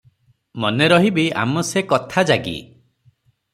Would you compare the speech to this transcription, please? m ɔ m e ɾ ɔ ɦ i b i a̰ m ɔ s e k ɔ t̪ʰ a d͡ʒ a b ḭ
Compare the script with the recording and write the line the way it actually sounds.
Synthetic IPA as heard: m ɔ n e ɾ ɔ ɦ i b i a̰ m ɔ s e k ɔ t̪ʰ a d͡ʒ a ɡ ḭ